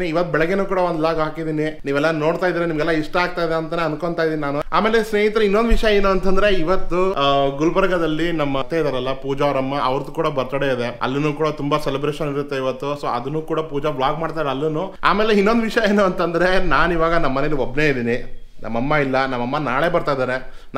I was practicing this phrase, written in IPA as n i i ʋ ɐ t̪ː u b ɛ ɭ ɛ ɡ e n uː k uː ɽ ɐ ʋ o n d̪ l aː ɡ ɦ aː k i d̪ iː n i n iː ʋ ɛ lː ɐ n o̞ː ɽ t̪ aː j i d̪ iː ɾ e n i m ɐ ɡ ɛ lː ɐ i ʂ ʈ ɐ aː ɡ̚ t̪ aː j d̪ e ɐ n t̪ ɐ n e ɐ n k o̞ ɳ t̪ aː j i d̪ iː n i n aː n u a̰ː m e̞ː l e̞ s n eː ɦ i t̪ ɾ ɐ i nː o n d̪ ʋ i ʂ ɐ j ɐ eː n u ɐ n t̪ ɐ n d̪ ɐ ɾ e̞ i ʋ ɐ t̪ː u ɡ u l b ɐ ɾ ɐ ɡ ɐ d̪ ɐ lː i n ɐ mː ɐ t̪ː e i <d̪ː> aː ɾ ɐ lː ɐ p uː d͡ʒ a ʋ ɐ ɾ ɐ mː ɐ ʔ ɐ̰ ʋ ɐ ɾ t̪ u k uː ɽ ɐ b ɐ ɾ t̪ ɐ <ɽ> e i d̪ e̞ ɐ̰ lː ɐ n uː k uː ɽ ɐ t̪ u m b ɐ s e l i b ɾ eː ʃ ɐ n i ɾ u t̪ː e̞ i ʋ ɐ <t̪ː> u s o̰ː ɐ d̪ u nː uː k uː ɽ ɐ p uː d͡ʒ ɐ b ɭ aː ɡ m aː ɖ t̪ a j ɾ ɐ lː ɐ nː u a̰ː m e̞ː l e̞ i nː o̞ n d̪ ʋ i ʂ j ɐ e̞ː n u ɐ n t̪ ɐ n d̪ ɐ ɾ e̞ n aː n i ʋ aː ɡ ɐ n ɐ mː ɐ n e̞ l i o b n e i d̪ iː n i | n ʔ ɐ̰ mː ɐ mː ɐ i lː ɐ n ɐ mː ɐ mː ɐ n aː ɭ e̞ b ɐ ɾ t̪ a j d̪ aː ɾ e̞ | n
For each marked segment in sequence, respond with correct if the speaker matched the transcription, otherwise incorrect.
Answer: incorrect: d̪, correct, correct

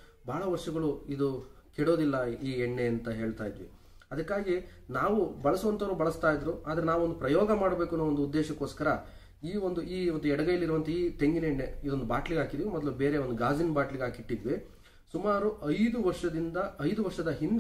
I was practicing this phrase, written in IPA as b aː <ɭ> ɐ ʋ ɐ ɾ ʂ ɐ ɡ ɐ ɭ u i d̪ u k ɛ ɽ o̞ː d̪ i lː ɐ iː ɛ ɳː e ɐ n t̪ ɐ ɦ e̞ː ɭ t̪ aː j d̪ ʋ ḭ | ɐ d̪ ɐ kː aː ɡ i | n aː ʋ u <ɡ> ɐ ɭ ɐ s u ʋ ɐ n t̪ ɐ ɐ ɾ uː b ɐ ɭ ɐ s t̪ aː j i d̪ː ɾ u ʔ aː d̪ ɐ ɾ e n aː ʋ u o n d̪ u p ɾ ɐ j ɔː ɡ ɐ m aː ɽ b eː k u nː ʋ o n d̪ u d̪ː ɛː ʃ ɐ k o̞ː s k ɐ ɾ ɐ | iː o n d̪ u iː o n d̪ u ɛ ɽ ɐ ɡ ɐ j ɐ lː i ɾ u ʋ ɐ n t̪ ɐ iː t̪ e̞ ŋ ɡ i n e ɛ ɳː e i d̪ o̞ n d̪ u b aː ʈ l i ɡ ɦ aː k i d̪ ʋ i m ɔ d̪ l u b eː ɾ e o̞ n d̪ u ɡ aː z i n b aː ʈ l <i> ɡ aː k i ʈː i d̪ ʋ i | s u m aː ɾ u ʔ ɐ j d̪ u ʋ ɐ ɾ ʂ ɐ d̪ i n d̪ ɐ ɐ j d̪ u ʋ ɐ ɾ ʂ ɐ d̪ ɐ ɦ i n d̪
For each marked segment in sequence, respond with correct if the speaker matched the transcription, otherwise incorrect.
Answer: correct, incorrect: b, correct

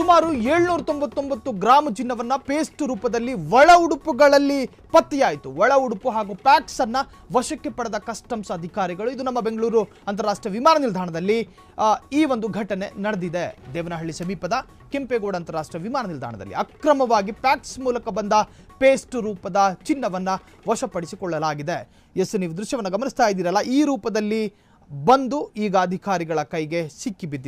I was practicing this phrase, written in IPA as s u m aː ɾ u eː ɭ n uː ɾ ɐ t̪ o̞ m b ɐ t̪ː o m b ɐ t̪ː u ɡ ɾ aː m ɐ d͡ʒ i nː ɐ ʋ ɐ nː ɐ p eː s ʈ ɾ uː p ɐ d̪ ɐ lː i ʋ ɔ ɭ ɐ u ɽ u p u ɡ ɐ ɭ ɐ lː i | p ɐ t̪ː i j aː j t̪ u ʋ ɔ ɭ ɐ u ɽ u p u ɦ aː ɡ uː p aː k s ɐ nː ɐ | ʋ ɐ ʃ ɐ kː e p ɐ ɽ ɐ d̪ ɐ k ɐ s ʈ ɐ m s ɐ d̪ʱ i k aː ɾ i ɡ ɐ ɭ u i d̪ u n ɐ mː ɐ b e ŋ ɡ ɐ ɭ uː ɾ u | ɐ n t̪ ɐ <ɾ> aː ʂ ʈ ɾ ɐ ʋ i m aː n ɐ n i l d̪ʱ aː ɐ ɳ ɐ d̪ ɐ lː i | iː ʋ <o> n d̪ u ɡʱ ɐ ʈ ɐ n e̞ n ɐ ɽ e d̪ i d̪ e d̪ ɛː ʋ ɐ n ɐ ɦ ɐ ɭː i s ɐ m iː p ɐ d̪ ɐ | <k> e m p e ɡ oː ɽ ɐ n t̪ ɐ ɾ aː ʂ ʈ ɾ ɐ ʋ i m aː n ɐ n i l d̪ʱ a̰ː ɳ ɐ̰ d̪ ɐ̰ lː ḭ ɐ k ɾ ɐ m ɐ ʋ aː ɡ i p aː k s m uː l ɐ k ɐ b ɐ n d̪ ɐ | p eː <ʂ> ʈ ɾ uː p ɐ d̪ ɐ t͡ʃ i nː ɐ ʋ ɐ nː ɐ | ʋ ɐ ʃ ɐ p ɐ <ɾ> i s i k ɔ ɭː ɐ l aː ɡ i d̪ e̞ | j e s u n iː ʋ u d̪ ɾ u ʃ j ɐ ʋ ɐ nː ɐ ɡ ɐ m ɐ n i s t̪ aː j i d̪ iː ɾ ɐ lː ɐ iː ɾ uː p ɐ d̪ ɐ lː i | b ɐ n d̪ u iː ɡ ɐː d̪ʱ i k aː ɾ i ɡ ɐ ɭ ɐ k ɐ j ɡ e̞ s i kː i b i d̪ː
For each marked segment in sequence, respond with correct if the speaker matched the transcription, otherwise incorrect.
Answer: correct, correct, correct, incorrect: s, incorrect: ɽ

